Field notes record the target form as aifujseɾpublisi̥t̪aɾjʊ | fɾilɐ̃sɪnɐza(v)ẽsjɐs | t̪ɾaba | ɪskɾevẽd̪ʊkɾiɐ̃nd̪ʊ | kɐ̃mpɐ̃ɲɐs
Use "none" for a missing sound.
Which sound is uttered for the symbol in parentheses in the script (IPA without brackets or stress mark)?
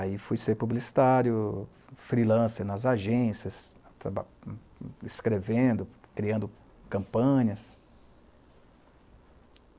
ʒ